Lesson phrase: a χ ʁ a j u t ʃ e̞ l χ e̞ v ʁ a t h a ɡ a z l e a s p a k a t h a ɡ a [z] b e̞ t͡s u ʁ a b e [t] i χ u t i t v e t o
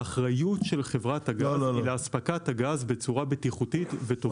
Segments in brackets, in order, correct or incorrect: correct, correct

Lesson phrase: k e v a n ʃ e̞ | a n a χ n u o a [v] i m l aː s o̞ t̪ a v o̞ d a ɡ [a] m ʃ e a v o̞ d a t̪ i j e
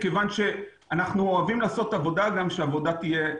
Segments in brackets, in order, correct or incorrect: correct, correct

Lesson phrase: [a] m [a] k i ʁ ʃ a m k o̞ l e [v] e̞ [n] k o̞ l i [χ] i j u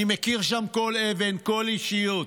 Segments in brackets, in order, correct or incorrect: incorrect: i, incorrect: e, correct, correct, incorrect: ʃ

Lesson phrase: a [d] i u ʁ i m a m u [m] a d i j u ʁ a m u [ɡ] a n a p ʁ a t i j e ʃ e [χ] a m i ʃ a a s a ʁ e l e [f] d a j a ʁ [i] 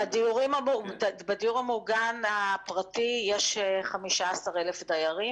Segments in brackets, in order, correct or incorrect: correct, incorrect: b, correct, correct, correct, correct

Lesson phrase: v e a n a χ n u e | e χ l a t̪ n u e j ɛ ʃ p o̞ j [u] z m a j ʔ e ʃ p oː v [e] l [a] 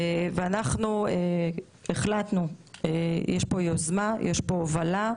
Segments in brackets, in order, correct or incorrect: incorrect: o, incorrect: a, correct

